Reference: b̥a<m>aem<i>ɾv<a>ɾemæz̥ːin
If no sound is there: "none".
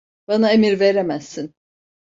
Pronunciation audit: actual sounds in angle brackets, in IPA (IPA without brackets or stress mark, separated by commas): n, i, e